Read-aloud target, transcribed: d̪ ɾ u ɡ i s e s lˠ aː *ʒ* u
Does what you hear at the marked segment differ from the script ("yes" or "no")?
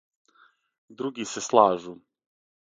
no